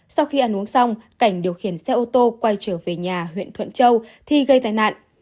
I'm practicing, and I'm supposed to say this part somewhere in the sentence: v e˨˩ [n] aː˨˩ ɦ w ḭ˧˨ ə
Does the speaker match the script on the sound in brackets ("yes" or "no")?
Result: no